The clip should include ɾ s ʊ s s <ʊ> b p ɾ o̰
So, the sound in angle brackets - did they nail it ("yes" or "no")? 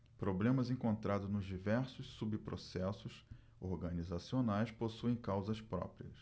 no